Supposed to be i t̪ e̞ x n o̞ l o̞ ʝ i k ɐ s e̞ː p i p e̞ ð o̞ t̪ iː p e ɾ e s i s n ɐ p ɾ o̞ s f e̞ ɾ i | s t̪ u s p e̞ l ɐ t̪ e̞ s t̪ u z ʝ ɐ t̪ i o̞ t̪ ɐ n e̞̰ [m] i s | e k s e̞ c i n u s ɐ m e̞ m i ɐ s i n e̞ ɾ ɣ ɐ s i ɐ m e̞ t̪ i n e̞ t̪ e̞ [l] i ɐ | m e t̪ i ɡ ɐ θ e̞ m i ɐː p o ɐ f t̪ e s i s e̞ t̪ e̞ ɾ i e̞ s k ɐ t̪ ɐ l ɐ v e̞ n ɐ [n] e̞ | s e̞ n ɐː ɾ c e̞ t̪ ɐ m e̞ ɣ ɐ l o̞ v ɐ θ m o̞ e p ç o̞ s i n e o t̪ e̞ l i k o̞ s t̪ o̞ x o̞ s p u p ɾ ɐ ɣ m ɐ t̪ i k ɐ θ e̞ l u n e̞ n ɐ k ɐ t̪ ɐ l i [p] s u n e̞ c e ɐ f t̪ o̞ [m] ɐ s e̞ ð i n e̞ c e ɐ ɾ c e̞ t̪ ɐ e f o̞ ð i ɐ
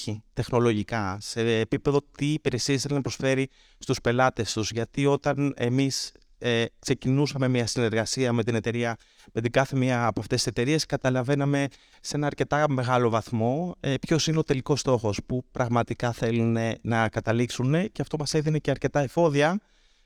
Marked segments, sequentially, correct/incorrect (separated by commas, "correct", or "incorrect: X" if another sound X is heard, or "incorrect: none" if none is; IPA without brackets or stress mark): correct, incorrect: ɾ, incorrect: m, incorrect: k, correct